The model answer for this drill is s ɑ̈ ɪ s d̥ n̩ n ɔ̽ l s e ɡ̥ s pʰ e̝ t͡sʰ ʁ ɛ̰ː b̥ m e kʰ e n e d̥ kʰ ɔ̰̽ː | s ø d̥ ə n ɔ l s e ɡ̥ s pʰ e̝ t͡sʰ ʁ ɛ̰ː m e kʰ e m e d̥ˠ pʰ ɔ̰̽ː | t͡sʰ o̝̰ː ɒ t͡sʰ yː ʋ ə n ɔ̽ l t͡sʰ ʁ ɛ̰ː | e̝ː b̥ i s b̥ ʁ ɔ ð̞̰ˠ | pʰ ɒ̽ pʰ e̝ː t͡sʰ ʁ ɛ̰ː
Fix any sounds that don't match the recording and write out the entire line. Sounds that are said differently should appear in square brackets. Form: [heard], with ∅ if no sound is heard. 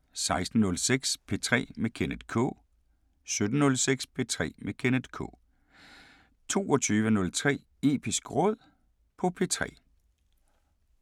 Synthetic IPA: s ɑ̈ ɪ s d̥ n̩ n ɔ̽ l s e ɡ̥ s pʰ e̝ t͡sʰ ʁ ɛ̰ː [∅] m e kʰ e n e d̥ kʰ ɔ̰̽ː | s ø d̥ ə n ɔ l s e ɡ̥ s pʰ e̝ t͡sʰ ʁ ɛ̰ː m e kʰ e [n] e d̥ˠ [kʰ] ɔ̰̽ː | t͡sʰ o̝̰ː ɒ t͡sʰ yː ʋ ə n ɔ̽ l t͡sʰ ʁ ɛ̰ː | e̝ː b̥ i s [ɡ̥] ʁ ɔ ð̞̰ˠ | pʰ ɒ̽ pʰ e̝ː t͡sʰ ʁ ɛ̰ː